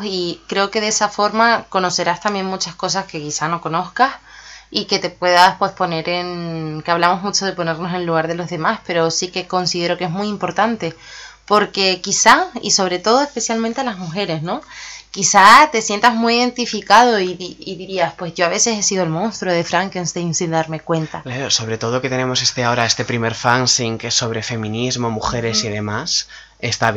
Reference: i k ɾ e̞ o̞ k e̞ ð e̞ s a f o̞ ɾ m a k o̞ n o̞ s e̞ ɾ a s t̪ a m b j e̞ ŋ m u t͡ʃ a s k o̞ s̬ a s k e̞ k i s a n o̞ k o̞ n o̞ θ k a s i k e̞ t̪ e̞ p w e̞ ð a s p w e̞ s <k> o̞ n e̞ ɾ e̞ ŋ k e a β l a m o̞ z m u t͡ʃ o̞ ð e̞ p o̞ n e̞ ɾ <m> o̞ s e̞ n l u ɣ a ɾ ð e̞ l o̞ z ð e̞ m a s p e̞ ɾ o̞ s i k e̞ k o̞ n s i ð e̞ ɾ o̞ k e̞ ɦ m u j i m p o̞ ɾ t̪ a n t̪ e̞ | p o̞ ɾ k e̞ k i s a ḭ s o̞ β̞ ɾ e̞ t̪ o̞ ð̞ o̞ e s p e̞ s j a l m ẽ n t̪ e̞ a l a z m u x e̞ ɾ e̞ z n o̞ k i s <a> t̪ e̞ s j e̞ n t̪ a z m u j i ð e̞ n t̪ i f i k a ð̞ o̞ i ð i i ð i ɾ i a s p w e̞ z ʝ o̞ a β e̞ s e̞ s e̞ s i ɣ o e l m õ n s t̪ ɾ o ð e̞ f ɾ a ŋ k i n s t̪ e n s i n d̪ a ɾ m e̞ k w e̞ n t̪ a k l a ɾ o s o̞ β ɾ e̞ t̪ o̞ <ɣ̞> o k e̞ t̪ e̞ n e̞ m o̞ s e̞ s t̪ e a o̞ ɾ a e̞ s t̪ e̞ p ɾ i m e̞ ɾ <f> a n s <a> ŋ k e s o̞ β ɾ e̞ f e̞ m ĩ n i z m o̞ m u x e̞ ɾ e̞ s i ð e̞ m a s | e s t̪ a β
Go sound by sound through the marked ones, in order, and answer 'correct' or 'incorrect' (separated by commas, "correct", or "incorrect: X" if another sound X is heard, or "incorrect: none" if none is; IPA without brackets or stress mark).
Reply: incorrect: p, incorrect: n, correct, incorrect: ð̞, correct, incorrect: i